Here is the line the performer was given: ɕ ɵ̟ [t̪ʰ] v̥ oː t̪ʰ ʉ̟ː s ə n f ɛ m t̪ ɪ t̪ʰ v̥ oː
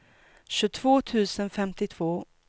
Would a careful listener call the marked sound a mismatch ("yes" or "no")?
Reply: no